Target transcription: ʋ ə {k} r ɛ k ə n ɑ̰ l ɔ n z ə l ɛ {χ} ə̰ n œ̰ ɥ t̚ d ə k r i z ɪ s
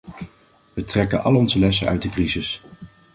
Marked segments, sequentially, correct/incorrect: incorrect, incorrect

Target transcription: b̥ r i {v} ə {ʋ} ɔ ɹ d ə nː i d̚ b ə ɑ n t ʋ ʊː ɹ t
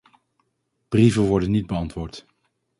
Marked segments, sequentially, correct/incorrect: correct, correct

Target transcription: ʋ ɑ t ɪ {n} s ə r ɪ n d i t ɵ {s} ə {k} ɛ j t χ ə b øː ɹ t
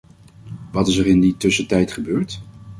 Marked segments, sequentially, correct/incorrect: incorrect, correct, incorrect

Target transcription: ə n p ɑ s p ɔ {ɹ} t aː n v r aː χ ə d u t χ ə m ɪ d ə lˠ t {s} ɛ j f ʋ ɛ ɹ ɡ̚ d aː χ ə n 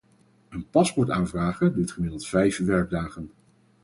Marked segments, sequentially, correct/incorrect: correct, incorrect

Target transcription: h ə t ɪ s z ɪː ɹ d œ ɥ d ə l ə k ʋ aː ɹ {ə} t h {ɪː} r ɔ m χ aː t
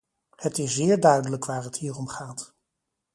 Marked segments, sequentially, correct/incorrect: correct, incorrect

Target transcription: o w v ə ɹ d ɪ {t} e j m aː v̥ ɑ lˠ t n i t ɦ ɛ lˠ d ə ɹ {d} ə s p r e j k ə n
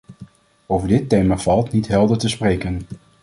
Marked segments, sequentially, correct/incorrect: correct, incorrect

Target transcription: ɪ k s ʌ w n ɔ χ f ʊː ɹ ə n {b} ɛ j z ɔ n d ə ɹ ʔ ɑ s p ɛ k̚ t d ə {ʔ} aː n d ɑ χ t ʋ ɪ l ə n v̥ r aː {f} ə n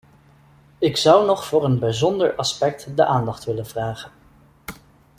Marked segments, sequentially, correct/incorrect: correct, correct, incorrect

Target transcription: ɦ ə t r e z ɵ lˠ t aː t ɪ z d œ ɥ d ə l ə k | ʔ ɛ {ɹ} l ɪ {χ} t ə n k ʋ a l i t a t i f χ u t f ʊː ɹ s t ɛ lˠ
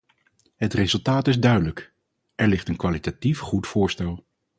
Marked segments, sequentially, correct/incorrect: correct, correct

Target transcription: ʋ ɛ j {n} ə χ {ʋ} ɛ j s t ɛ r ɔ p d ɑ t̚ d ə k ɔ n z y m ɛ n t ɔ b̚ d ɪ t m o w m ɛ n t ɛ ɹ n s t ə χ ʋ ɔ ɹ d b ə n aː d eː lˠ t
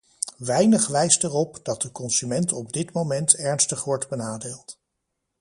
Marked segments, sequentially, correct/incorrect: correct, correct

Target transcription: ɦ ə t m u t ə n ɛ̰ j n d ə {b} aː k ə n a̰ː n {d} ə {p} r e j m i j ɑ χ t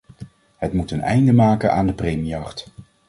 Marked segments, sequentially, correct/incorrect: incorrect, correct, correct

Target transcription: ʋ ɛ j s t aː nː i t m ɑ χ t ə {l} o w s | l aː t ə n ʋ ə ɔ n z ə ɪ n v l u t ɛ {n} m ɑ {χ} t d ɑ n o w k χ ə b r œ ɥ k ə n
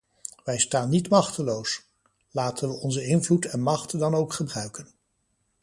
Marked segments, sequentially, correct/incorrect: correct, correct, correct

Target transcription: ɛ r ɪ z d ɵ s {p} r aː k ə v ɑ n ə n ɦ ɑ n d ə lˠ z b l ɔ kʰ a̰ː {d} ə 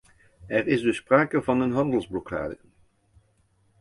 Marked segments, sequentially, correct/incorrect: correct, correct

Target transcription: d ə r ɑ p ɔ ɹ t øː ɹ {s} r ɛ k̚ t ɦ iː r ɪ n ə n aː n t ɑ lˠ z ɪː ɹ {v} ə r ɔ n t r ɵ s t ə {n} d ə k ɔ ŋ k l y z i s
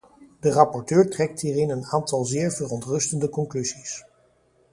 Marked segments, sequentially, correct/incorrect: incorrect, correct, correct

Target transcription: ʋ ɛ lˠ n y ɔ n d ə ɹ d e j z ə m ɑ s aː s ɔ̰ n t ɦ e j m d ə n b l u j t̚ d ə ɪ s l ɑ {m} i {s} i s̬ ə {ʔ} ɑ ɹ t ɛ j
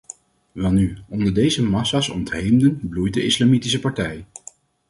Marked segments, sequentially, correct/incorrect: correct, incorrect, incorrect

